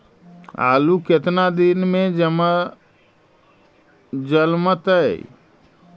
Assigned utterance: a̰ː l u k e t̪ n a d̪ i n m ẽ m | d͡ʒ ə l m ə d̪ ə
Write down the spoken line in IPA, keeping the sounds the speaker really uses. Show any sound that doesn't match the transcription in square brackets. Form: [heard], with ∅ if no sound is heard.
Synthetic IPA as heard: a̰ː l u k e t̪ n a d̪ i n m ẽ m | d͡ʒ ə l m ə [t̪] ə